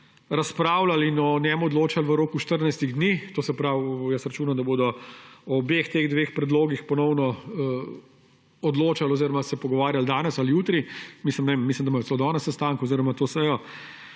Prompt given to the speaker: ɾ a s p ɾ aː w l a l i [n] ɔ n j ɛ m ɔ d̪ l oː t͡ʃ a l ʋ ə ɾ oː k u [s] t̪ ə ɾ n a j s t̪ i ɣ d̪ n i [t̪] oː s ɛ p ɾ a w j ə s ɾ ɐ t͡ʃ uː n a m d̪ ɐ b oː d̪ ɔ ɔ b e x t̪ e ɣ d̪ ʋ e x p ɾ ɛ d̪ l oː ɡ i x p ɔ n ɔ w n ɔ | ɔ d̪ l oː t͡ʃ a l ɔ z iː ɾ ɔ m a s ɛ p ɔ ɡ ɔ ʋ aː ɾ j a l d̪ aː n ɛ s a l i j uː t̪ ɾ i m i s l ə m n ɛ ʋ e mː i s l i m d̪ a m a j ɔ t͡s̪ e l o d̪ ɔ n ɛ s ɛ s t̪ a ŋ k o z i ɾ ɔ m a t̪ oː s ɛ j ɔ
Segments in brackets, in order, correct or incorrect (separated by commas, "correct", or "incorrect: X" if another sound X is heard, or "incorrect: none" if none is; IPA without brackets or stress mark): correct, incorrect: ʃ, correct